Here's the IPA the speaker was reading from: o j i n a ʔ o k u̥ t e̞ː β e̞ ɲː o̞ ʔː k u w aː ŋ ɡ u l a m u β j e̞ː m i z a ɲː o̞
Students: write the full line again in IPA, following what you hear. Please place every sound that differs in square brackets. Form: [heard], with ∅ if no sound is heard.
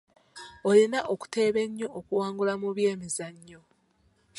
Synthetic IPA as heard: o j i n a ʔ o k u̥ t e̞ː β e̞ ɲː o̞ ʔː k u w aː ŋ ɡ u l a m u β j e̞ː m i z a ɲː o̞